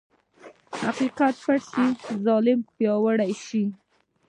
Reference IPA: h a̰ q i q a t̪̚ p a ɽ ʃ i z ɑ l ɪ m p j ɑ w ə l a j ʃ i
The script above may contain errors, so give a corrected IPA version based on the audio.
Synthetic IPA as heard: h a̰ q i q a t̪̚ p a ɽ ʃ i z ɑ l ɪ m p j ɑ w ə ɽ a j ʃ i